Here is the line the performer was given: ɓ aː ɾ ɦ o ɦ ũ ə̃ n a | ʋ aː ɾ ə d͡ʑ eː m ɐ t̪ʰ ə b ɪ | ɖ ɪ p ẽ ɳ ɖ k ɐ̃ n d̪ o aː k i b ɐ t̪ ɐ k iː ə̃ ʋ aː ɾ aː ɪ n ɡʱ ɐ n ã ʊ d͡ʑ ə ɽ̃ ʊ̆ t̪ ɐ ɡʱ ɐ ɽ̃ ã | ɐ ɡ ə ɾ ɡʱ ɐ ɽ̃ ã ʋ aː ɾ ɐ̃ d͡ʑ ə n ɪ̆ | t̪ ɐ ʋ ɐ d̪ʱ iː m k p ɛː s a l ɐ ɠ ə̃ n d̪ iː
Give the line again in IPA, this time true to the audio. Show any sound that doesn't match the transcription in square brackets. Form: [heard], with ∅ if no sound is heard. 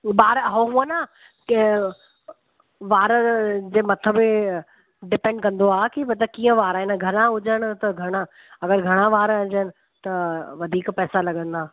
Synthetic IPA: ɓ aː ɾ ɦ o ɦ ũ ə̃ n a | ʋ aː ɾ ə d͡ʑ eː m ɐ t̪ʰ ə b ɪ | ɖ ɪ p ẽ ɳ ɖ k ɐ̃ n d̪ o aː k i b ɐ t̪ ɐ k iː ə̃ ʋ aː ɾ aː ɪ n ɡʱ ɐ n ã ʊ d͡ʑ ə ɽ̃ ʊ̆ t̪ ɐ ɡʱ ɐ ɽ̃ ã | ɐ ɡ ə ɾ ɡʱ ɐ ɽ̃ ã ʋ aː ɾ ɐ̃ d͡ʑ ə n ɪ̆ | t̪ ɐ ʋ ɐ d̪ʱ iː [∅] k p ɛː s a l ɐ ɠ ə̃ n d̪ [aː]

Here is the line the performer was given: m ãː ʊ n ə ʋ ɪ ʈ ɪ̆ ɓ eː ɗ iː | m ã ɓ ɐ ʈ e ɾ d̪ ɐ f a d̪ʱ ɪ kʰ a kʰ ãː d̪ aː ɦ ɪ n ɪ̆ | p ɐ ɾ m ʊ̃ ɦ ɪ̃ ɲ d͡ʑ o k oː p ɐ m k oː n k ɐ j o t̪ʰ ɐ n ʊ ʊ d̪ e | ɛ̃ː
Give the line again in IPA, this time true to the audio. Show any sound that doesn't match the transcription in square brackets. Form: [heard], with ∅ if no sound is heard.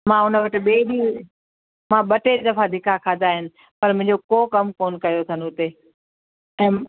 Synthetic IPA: m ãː ʊ n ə ʋ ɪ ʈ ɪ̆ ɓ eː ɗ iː | m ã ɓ ɐ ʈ e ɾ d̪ ɐ f a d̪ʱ ɪ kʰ a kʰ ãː d̪ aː ɦ ɪ n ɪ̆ | p ɐ ɾ m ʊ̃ ɦ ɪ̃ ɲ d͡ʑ o k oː [k] ɐ m k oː n k ɐ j o t̪ʰ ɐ n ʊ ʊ [t̪] e | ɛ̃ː

